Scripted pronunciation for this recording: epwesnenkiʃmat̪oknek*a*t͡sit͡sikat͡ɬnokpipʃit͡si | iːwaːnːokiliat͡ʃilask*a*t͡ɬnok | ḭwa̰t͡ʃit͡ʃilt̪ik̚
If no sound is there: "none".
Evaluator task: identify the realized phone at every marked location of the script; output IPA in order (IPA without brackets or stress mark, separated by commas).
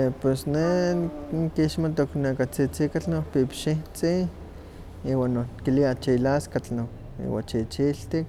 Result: a, a